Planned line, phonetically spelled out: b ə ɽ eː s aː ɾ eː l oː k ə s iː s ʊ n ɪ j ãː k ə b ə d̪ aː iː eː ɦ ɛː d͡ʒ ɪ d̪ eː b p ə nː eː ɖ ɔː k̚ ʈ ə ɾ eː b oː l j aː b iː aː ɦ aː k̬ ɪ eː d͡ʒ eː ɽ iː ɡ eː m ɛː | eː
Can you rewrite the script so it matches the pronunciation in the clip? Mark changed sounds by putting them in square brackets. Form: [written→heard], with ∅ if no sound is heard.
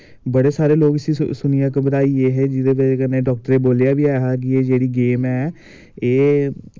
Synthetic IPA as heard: b ə ɽ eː s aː ɾ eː l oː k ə s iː s ʊ n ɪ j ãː k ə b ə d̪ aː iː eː ɦ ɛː d͡ʒ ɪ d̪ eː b [p→k] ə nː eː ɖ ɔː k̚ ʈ ə ɾ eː b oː l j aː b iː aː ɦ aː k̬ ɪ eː d͡ʒ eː ɽ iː ɡ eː m ɛː | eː